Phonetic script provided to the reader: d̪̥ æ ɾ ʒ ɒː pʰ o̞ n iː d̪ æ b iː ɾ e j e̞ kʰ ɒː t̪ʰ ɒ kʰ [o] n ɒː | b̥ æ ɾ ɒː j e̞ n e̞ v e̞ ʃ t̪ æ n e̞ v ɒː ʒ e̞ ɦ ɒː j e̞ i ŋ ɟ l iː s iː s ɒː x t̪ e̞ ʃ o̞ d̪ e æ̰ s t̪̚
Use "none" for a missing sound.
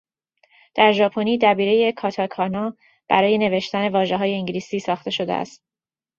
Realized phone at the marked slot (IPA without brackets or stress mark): ɒ